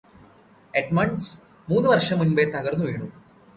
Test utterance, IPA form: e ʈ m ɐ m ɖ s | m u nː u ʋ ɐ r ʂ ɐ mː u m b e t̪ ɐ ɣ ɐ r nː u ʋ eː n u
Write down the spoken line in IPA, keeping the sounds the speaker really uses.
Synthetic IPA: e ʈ m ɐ ɳ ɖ s | m uː nː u ʋ ɐ r ʂ ɐ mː u n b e t̪ ɐ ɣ ɐ r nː u ʋ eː ɳ u